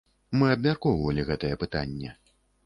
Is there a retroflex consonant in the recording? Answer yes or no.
no